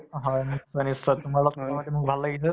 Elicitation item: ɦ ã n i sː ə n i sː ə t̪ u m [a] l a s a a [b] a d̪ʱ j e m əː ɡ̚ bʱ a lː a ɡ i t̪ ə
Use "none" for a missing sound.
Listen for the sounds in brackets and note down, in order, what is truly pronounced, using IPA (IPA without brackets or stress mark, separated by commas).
a, m